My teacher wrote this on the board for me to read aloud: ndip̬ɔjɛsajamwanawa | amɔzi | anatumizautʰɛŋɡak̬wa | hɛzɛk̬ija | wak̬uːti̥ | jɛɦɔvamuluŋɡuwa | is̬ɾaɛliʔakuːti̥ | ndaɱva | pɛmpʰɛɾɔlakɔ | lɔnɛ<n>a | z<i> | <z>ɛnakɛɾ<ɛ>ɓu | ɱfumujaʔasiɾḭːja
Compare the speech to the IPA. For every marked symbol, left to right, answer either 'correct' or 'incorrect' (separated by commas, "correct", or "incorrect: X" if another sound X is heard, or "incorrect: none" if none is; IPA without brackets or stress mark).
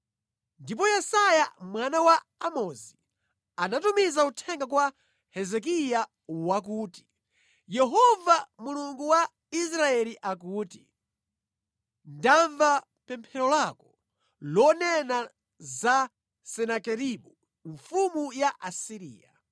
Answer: correct, incorrect: a, incorrect: s, incorrect: i